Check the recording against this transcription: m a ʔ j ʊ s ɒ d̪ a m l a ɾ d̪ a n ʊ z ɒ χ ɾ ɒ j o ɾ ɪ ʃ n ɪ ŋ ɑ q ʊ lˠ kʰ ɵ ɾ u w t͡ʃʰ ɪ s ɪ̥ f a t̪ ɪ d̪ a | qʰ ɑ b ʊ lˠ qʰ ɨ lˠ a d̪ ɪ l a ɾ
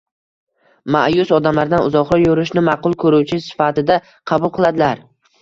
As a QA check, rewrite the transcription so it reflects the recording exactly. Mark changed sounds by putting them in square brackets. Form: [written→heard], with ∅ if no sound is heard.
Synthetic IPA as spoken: m a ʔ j ʊ s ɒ d̪ a m l a ɾ d̪ a n ʊ z ɒ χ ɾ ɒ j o ɾ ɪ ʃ n ɪ [ŋ→m] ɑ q ʊ lˠ kʰ ɵ ɾ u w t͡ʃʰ ɪ s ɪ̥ f a t̪ ɪ d̪ a | qʰ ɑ b ʊ lˠ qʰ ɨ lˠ a d̪ ɪ l a ɾ

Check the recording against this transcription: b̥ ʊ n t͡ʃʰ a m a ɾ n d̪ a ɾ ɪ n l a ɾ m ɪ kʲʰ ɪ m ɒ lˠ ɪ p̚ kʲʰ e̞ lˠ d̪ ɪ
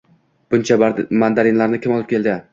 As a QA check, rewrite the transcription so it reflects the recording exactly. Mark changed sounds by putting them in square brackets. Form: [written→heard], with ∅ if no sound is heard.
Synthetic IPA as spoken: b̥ ʊ n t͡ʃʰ a m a [ɾ→∅] n d̪ a ɾ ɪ n l a ɾ [m→n] ɪ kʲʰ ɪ m ɒ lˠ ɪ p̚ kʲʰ e̞ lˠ d̪ ɪ

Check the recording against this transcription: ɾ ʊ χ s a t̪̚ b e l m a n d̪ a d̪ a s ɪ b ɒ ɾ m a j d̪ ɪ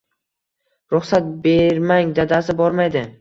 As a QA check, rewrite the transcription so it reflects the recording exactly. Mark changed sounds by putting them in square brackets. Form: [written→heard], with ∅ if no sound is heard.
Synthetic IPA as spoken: ɾ ʊ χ s a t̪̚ b e [l→ɾ] m a [n→ŋ] d̪ a d̪ a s ɪ b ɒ ɾ m a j d̪ ɪ

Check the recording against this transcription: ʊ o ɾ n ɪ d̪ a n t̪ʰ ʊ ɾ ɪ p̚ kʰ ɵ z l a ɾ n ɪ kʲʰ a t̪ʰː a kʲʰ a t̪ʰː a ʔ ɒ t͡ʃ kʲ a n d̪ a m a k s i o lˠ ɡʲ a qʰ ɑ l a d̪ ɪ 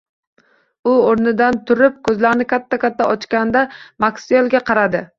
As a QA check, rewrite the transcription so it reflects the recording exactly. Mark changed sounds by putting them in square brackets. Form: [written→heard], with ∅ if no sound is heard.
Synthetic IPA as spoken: ʊ o ɾ n ɪ d̪ a n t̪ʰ ʊ ɾ ɪ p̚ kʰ ɵ z l a ɾ n ɪ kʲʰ a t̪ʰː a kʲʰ a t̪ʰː a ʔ ɒ t͡ʃ kʲ a n d̪ a m a k s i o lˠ ɡʲ a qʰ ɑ [l→ɾ] a d̪ ɪ

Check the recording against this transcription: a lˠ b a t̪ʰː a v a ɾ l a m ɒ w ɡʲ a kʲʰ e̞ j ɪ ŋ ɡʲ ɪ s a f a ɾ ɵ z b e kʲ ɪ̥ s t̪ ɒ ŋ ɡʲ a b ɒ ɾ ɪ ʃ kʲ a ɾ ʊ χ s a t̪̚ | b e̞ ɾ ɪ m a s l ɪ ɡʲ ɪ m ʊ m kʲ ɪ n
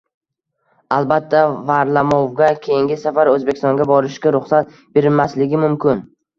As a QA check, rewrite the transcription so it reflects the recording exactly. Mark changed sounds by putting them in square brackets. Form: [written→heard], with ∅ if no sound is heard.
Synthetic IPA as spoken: a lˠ b a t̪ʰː a v a ɾ l a m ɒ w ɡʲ a kʲʰ e̞ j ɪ ŋ ɡʲ ɪ s a f a ɾ ɵ z b e kʲ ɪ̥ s t̪ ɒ ŋ ɡʲ a b ɒ ɾ ɪ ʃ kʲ a ɾ ʊ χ s a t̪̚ | b e̞ ɾ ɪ m a s l ɪ ɡʲ ɪ m ʊ m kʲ ɪ n

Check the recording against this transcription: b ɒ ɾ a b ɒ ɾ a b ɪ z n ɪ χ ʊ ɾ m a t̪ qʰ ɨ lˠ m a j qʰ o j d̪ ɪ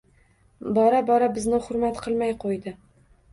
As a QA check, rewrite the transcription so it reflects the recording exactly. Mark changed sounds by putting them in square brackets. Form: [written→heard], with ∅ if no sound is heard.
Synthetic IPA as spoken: b ɒ ɾ a b ɒ ɾ a b ɪ z n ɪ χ ʊ ɾ m a t̪ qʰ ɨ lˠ m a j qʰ o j d̪ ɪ

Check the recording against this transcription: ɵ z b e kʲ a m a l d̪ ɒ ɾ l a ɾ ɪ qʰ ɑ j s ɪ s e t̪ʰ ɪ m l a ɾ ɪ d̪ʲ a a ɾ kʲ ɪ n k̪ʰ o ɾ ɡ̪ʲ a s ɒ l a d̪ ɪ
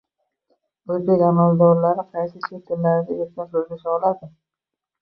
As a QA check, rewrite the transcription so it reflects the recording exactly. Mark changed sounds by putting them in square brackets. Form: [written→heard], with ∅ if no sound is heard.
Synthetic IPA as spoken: ɵ z b e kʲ a m a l d̪ ɒ ɾ l a ɾ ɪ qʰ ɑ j s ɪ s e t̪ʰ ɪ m l a ɾ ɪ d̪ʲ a [a→e] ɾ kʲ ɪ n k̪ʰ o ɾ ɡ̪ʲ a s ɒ l a d̪ ɪ

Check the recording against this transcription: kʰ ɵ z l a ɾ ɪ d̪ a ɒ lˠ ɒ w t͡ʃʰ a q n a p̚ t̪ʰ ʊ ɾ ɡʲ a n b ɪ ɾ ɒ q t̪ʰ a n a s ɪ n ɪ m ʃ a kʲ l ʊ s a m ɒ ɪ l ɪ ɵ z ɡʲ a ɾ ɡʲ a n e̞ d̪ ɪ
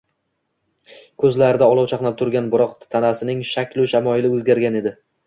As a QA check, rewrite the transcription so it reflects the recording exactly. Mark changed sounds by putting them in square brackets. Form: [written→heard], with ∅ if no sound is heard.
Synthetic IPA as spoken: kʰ ɵ z l a ɾ ɪ d̪ a ɒ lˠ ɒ w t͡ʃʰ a q n a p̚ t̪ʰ ʊ ɾ ɡʲ a n b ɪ ɾ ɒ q t̪ʰ a n a s ɪ n ɪ [m→ŋ] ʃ a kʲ l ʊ [s→ʃ] a m ɒ ɪ l ɪ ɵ z ɡʲ a ɾ ɡʲ a n e̞ d̪ ɪ

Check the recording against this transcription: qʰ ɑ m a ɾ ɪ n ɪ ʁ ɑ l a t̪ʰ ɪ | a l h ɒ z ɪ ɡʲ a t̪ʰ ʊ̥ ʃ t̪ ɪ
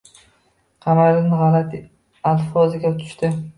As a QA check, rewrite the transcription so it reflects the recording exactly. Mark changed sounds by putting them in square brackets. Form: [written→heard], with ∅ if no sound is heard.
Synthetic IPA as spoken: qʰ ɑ m a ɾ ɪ n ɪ ʁ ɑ l a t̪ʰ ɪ | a l [h→f] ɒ z ɪ ɡʲ a t̪ʰ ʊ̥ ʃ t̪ ɪ

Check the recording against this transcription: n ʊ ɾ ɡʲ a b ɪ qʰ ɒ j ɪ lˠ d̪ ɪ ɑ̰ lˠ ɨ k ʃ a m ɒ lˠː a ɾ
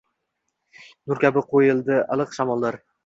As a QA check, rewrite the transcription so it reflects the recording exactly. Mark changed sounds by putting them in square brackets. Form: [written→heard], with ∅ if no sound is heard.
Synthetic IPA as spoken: n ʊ ɾ [ɡʲ→kʲ] a b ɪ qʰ [ɒ→o] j ɪ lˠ d̪ ɪ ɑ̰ lˠ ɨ [k→q] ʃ a m ɒ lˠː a ɾ

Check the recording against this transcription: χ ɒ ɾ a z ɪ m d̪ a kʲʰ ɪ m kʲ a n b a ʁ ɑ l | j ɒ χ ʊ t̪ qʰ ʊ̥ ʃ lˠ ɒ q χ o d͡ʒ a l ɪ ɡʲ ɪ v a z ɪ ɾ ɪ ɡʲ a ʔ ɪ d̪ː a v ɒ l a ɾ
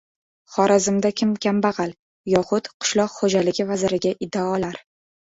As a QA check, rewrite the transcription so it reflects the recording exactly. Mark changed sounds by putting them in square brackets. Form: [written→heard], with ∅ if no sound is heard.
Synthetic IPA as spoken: χ ɒ ɾ a z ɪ m d̪ a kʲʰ ɪ m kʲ a [n→m] b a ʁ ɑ l | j ɒ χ ʊ t̪ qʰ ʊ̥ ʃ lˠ ɒ q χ o d͡ʒ a l ɪ ɡʲ ɪ v a z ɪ ɾ ɪ ɡʲ a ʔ ɪ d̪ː a [v→∅] ɒ l a ɾ

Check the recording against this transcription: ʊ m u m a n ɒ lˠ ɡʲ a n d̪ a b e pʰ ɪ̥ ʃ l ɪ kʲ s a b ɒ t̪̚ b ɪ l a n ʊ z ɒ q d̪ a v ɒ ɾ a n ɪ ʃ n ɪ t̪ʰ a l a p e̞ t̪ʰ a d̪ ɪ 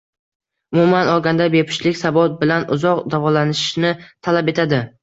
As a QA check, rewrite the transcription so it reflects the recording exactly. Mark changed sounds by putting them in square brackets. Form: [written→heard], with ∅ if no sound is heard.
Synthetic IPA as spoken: ʊ m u m a n ɒ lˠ ɡʲ a n d̪ a b e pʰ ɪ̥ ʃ l ɪ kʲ s a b ɒ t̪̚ b ɪ l a n ʊ z ɒ q d̪ a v ɒ [ɾ→l] a n ɪ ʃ n ɪ t̪ʰ a l a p e̞ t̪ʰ a d̪ ɪ

